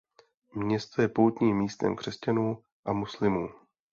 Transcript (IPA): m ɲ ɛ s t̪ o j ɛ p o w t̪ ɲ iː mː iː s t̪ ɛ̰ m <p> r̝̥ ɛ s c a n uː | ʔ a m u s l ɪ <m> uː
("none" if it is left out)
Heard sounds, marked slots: k, m

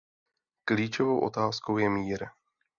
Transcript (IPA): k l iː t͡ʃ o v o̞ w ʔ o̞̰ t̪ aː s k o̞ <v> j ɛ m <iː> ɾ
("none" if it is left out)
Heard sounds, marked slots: w, iː

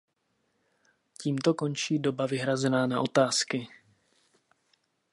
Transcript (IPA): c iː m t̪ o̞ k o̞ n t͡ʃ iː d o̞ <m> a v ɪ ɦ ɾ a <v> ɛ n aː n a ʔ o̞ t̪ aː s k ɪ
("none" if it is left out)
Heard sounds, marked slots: b, z

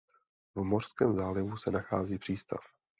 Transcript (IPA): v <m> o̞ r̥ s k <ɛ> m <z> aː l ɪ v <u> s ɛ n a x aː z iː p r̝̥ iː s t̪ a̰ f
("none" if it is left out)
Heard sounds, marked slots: m, ɛː, z, u

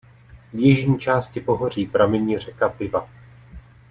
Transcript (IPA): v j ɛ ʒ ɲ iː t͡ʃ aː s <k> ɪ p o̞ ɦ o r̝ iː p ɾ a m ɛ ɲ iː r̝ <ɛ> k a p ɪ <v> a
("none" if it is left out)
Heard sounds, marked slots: c, ɛ, v

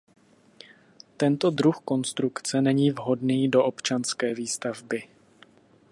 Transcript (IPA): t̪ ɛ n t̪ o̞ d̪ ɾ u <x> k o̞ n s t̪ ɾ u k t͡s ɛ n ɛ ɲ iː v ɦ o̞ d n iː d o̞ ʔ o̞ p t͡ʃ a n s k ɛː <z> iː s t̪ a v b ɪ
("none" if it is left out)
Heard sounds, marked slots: x, v

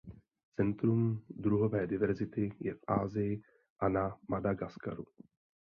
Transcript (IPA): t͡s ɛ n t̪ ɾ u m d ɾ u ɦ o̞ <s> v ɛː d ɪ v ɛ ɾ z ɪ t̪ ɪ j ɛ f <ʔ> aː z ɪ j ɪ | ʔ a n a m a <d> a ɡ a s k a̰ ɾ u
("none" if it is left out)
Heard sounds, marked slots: none, ʔ, d

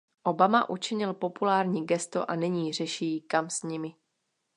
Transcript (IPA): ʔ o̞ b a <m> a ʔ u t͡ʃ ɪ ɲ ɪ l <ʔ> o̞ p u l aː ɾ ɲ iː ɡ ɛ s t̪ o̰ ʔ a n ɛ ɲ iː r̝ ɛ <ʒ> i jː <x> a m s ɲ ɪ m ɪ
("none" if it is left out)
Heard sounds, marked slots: m, p, ʃ, k

